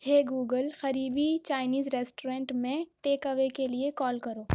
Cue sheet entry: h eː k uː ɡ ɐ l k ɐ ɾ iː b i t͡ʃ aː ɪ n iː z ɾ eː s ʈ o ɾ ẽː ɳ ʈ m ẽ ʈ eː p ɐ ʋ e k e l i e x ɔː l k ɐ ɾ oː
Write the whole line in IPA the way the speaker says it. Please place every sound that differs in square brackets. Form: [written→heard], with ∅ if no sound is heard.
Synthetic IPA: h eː [k→ɡ] uː ɡ [ɐ→ə] l [k→x] ɐ ɾ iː b i t͡ʃ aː ɪ n iː z ɾ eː s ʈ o ɾ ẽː ɳ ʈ m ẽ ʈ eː [p→k] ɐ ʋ e k e l i e [x→k] ɔː l k ɐ ɾ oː